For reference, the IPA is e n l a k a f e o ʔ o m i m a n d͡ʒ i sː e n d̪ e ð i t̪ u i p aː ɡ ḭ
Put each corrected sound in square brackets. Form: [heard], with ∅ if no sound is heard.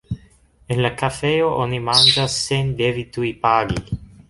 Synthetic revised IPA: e n l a k a f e o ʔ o [n] i m a n d͡ʒ [a] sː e n d̪ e [v] i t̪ u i p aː ɡ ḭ